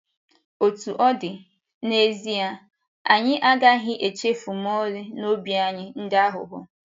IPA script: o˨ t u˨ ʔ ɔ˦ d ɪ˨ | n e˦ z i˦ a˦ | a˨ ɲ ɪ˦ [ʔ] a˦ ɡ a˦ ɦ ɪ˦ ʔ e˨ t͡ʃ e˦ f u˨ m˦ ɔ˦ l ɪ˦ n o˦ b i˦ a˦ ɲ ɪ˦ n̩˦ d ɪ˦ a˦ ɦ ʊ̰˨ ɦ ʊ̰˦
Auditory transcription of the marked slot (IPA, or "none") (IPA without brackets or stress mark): ʔ